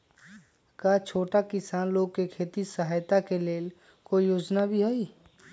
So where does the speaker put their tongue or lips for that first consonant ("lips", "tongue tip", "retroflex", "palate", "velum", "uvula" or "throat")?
velum